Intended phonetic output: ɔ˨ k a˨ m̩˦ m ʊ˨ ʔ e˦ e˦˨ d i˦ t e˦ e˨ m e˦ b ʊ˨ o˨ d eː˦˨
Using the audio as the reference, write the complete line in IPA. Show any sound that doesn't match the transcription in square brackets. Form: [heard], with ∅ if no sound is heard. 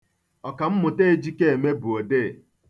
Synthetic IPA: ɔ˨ k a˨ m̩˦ m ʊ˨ [t] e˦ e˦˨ [d͡ʒ] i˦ [k] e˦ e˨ m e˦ b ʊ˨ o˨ d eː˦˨